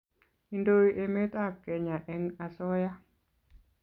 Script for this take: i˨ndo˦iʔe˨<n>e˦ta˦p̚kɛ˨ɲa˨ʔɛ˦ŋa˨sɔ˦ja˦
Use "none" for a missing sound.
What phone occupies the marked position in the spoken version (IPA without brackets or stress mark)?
m